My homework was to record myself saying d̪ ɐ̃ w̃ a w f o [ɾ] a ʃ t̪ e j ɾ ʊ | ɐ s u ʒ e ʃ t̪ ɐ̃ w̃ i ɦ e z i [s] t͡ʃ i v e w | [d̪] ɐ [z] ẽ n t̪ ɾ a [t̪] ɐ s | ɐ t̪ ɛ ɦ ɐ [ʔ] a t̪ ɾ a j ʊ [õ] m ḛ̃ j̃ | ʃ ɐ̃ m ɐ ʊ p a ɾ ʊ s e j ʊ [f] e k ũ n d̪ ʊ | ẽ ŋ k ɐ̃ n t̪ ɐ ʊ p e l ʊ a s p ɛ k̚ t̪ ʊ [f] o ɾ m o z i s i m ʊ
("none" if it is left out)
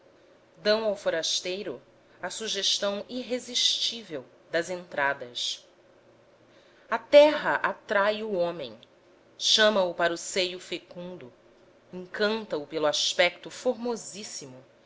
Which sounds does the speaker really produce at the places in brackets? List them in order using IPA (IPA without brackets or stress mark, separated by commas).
ɾ, ʃ, d̪, z, d̪, ʔ, õ, f, f